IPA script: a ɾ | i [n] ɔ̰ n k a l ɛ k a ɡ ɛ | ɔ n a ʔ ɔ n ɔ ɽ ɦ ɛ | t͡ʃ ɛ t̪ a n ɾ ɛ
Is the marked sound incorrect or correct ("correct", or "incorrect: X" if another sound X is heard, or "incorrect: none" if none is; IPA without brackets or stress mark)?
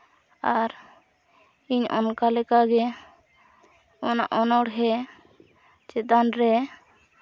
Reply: incorrect: ɲ